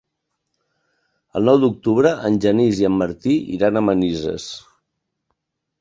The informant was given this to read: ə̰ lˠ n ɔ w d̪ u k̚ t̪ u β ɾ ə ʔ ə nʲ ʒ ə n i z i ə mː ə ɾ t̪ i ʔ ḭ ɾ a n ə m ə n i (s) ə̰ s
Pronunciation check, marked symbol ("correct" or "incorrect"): incorrect